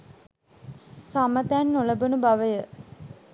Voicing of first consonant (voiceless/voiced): voiceless